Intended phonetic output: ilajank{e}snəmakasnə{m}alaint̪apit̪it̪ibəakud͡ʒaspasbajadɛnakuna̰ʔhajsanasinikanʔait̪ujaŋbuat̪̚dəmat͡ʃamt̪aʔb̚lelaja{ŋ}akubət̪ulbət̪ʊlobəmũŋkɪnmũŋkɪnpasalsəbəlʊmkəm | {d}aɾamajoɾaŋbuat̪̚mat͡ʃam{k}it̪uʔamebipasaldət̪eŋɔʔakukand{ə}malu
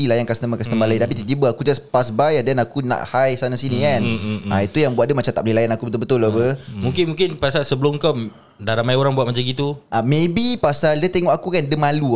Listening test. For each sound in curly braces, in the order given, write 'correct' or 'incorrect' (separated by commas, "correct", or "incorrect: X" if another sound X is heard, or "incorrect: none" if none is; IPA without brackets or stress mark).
incorrect: a, correct, incorrect: n, correct, incorrect: ɡ, correct